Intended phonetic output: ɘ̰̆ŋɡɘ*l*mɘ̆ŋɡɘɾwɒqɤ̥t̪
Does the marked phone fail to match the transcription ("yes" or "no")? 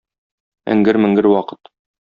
yes